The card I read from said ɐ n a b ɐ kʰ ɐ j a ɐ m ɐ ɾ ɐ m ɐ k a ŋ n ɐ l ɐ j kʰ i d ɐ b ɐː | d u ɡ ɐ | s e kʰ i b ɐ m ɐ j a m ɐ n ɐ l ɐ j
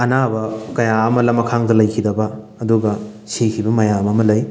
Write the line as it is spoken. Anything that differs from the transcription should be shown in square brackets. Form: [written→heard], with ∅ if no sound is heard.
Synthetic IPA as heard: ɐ n a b ɐ [kʰ→k] ɐ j a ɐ m ɐ [ɾ→l] ɐ m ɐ [k→kʰ] a ŋ [n→d] ɐ l ɐ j kʰ i d ɐ b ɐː | d u ɡ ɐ | s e kʰ i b ɐ m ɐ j a m ɐ [n→m] ɐ l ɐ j